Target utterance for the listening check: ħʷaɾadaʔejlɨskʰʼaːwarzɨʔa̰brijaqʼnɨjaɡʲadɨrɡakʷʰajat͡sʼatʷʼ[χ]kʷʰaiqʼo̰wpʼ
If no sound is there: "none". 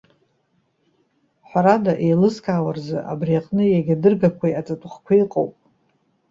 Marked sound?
χ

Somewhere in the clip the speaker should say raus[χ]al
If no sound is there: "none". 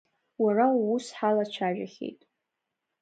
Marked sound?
ħ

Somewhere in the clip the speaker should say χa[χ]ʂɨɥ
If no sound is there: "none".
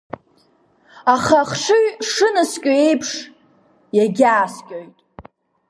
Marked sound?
χ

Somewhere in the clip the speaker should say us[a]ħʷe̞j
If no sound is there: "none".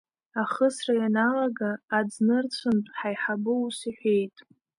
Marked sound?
i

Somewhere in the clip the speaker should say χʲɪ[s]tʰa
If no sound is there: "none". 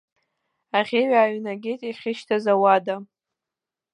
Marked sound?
ʃ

